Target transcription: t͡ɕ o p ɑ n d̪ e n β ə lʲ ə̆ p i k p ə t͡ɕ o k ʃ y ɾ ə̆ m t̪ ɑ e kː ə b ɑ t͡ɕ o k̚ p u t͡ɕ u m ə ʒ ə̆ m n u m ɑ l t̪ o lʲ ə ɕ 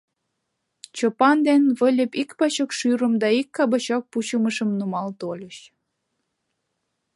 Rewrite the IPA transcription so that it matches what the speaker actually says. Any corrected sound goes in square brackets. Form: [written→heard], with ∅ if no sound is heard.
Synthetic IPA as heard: t͡ɕ o p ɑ n d̪ e n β ə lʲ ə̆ p i k p [ə→ɑ] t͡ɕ o k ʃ y ɾ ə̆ m [t̪→d̪] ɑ [e→i] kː [ə→ɑ] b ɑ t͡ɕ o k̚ p u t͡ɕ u m ə [ʒ→ʃ] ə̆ m n u m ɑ l t̪ o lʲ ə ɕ